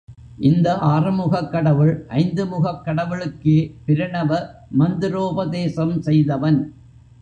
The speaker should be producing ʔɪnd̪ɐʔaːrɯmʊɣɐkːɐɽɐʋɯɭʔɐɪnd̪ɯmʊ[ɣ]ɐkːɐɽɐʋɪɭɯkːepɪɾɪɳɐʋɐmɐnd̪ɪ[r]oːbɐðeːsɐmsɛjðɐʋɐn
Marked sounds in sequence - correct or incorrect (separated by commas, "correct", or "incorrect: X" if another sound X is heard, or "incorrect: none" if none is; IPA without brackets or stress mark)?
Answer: correct, incorrect: ɾ